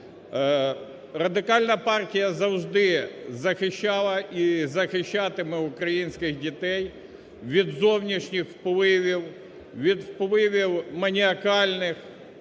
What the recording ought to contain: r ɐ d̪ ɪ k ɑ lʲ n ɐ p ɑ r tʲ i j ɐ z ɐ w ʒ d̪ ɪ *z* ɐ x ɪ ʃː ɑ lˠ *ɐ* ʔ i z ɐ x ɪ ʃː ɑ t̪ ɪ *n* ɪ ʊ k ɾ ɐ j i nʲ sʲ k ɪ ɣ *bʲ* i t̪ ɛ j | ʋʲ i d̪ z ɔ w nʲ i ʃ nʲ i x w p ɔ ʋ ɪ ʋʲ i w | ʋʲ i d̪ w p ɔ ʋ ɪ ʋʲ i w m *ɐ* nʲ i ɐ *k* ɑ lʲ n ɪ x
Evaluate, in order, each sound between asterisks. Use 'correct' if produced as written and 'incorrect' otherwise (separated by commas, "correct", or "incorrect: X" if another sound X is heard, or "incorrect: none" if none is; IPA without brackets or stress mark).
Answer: correct, correct, incorrect: m, incorrect: dʲ, correct, correct